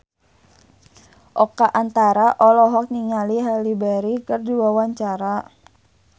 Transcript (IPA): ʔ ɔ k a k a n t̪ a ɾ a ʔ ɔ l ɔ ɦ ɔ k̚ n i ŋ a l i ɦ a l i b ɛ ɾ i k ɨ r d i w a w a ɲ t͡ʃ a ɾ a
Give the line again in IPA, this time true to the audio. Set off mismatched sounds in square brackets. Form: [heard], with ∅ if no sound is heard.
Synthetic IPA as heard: ʔ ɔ k a [ʔ] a n t̪ a ɾ a ʔ ɔ l ɔ ɦ ɔ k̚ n i ŋ a l i ɦ a l i b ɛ ɾ i k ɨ r d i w a w a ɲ t͡ʃ a ɾ a